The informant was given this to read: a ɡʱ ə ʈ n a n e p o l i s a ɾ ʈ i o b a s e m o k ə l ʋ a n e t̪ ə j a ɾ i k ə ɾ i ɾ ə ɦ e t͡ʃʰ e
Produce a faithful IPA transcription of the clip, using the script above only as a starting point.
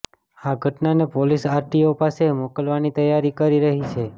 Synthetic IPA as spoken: a ɡʱ ə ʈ n a n e p o l i s a ɾ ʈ i o p a s e m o k ə l ʋ a n i t̪ ə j a ɾ i k ə ɾ i ɾ ə ɦ i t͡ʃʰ e